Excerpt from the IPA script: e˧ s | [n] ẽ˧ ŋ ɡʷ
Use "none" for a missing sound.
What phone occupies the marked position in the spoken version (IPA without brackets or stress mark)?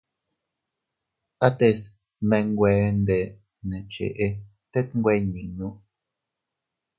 m